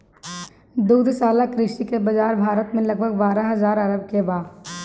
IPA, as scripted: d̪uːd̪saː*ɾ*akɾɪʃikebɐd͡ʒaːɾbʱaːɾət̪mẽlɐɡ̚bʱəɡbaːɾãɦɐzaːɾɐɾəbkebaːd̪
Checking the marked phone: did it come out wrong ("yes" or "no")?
yes